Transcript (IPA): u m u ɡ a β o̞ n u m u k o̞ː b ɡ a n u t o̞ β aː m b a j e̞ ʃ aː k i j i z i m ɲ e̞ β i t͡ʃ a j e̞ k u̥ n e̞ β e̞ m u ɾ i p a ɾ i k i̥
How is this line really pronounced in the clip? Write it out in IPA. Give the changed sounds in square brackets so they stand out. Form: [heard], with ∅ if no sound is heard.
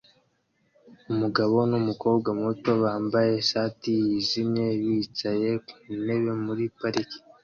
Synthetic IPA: u m u ɡ a β o̞ n u m u k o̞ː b ɡ a [m] u t o̞ β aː m b a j e̞ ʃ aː [t] i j i z i m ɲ e̞ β i t͡ʃ a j e̞ k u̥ n e̞ β e̞ m u ɾ i p a ɾ i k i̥